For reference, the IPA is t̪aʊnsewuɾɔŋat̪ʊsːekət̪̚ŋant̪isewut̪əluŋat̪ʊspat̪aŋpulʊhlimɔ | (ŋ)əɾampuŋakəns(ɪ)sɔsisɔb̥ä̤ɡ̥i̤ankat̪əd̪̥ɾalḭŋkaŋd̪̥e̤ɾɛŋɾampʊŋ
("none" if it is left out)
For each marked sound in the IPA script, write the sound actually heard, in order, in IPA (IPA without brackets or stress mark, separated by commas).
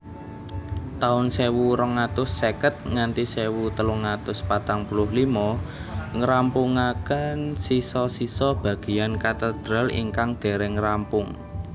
ŋ, i